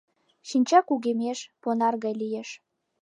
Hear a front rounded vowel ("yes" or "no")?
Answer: no